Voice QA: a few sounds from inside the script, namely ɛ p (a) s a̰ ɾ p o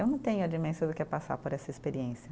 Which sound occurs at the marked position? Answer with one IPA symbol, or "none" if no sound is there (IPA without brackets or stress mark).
a